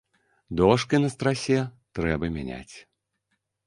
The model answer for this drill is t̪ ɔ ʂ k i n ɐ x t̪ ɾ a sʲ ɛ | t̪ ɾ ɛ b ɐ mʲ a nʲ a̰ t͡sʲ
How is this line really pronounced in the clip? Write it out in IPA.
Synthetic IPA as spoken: d̪ ɔ ʂ k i n ɐ s t̪ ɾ a sʲ ɛ | t̪ ɾ ɛ b ɐ mʲ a nʲ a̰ t͡sʲ

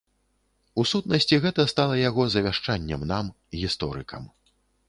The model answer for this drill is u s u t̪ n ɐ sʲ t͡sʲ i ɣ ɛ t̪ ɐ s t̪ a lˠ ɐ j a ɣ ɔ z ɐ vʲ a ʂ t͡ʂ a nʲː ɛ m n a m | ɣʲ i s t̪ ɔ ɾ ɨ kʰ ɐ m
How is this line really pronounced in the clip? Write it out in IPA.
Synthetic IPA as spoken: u s u t̪ n ɐ sʲ t͡sʲ i ɣ ɛ t̪ ɐ s t̪ a lˠ ɐ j a ɣ ɔ z ɐ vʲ a ʂ t͡ʂ a nʲː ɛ m n a m | ɣʲ i s t̪ ɔ ɾ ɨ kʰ ɐ m

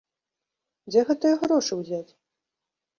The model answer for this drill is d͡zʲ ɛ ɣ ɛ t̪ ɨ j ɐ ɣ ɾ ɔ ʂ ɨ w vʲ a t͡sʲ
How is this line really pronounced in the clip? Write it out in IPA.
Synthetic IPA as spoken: d͡zʲ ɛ ɣ ɛ t̪ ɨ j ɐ ɣ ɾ ɔ ʂ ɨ w zʲ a t͡sʲ

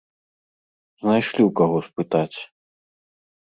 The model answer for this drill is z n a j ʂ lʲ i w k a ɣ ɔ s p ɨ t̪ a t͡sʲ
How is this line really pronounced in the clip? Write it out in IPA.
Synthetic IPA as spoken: z n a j ʂ lʲ i w k a ɣ ɔ s p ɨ t̪ a t͡sʲ

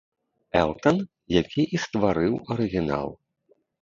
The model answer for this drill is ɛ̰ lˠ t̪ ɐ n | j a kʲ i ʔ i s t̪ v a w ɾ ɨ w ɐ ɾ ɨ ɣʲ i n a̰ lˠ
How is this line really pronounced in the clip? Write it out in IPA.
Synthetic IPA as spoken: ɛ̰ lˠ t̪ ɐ n | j a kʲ i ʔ i s t̪ v a ɾ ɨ w ɐ ɾ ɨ ɣʲ i n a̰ lˠ

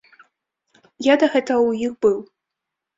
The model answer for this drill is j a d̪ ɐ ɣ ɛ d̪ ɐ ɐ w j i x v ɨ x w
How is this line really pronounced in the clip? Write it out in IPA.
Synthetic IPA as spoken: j a d̪ ɐ ɣ ɛ t̪ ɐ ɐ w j i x b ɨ w

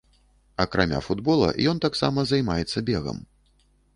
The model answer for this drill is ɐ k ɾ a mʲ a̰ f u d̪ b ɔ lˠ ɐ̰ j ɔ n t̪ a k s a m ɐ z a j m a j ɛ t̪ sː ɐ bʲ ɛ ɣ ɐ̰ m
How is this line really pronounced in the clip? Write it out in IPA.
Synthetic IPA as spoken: ɐ k ɾ a mʲ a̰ f u d̪ b ɔ lˠ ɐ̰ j ɔ n t̪ a k s a m ɐ z a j m a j ɛ t̪ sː ɐ bʲ ɛ ɣ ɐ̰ m

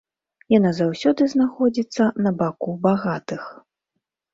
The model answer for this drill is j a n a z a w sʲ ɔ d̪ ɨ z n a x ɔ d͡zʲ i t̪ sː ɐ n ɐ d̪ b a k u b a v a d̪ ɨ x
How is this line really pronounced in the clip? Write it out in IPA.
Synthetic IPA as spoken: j a n a z a w sʲ ɔ d̪ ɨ z n a x ɔ d͡zʲ i t̪ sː ɐ n ɐ b a k u b a ɣ a t̪ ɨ x

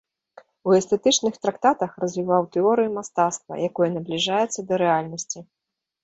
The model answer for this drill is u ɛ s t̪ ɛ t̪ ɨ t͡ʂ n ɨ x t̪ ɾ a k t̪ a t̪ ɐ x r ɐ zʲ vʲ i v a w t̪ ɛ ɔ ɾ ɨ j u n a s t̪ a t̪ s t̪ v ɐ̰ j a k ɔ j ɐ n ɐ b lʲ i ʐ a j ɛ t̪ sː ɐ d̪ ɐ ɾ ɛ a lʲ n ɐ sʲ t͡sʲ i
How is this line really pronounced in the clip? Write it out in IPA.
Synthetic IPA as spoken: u ɛ s t̪ ɛ t̪ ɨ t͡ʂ n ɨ x t̪ ɾ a k t̪ a t̪ ɐ x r ɐ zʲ vʲ i v a w t̪ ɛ ɔ ɾ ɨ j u m a s t̪ a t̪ s t̪ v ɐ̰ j a k ɔ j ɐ n ɐ b lʲ i ʐ a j ɛ t̪ sː ɐ d̪ ɐ ɾ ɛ a lʲ n ɐ sʲ t͡sʲ i

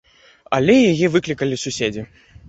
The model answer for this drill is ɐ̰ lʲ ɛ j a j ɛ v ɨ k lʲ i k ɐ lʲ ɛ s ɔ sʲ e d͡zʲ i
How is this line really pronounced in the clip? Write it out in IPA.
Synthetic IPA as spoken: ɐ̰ lʲ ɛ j a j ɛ v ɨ k lʲ i k ɐ lʲ i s u sʲ e d͡zʲ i

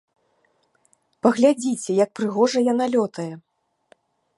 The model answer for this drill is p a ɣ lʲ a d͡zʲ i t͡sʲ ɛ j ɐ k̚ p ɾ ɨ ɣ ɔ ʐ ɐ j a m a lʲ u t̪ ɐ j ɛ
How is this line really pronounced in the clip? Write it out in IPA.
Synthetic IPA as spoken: p ɐ ɣ lʲ a d͡zʲ i t͡sʲ ɛ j ɐ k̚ p ɾ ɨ ɣ ɔ ʐ ɐ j a n a lʲ ɔ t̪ ɐ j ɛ

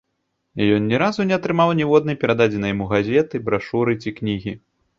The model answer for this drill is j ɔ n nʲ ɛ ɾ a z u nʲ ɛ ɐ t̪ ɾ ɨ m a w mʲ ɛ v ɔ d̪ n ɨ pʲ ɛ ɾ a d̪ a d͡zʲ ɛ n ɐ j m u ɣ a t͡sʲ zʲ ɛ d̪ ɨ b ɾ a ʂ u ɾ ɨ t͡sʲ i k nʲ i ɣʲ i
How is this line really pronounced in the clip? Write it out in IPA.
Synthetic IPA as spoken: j ɔ n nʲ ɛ ɾ a z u nʲ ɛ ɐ t̪ ɾ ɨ m a w nʲ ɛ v ɔ d̪ n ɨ pʲ ɛ ɾ a d̪ a d͡zʲ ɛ n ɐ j m u ɣ a zʲ ɛ t̪ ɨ b ɾ a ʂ u ɾ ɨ t͡sʲ i k nʲ i ɣʲ i

